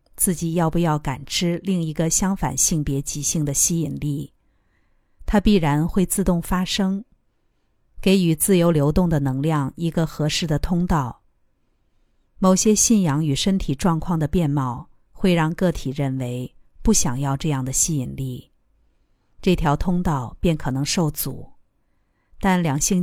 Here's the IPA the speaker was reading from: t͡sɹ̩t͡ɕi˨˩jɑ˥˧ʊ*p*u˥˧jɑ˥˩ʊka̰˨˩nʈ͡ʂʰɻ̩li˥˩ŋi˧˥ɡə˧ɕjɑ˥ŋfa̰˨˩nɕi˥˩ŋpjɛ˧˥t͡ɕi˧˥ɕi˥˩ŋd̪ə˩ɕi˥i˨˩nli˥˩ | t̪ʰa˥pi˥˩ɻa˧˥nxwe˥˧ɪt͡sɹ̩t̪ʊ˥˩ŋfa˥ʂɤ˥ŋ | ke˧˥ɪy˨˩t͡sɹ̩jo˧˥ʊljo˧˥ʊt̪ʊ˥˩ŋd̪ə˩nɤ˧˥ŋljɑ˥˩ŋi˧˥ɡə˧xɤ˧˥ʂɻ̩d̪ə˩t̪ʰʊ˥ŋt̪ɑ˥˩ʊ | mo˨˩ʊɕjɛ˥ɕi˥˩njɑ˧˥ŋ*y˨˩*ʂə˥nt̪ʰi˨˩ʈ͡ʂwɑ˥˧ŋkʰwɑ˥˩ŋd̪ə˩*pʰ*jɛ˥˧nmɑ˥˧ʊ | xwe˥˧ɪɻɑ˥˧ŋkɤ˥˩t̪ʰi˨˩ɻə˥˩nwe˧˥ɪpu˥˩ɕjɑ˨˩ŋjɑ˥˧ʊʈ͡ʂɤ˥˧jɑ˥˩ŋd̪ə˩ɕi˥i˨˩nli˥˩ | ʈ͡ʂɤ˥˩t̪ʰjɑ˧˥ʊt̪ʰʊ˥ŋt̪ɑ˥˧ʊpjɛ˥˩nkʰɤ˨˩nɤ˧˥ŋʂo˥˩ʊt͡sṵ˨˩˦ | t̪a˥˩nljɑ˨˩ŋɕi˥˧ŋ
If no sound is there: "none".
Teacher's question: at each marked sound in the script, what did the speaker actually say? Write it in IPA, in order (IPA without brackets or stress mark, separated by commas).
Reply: p, y˨˩, p